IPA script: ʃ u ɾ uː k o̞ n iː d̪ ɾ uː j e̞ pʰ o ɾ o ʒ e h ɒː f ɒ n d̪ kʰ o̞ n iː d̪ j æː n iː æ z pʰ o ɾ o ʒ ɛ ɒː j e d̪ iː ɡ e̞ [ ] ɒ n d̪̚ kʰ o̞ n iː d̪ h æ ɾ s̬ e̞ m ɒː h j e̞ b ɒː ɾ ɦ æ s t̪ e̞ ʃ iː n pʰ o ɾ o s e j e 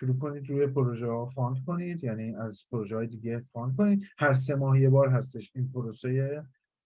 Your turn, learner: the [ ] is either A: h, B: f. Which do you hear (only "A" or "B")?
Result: B